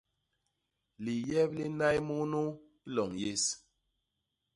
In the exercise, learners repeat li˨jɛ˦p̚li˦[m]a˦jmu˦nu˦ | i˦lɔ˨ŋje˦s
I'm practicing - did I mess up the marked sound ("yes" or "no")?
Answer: yes